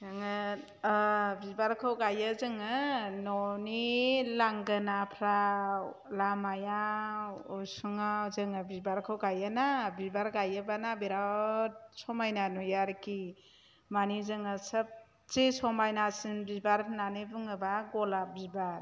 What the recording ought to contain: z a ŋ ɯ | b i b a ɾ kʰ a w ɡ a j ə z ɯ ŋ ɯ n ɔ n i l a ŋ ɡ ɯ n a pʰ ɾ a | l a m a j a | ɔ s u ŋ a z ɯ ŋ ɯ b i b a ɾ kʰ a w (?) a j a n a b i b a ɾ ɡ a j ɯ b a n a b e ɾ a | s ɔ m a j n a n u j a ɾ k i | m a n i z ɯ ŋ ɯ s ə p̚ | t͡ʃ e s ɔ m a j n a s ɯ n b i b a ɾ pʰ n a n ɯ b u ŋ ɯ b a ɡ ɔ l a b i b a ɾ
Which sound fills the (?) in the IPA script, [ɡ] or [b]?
ɡ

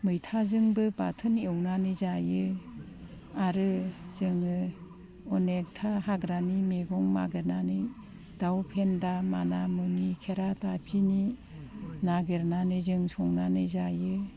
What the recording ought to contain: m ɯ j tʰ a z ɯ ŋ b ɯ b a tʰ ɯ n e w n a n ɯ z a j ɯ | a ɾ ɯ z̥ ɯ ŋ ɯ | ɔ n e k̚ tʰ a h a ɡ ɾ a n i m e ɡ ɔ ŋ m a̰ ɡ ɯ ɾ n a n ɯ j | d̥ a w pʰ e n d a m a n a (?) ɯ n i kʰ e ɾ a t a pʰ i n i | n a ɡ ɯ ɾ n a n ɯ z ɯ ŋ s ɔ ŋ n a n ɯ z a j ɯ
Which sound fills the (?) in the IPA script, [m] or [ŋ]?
m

